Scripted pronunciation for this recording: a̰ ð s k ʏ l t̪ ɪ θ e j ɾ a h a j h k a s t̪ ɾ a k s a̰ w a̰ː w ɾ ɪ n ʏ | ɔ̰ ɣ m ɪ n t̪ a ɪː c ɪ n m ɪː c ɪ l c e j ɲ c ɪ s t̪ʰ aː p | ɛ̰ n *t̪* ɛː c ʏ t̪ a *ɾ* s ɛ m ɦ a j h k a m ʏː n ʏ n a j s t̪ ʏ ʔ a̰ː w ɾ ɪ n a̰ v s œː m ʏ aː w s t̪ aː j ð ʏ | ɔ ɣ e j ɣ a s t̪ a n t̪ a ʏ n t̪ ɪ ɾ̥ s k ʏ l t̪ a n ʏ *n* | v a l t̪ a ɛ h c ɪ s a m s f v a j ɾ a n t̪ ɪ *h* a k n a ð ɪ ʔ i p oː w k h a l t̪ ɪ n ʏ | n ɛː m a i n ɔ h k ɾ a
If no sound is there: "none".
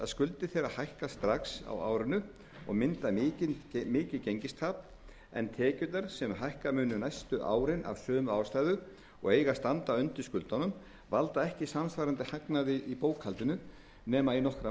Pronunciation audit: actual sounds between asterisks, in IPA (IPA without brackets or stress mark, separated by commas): t̪ʰ, ɾ, m, h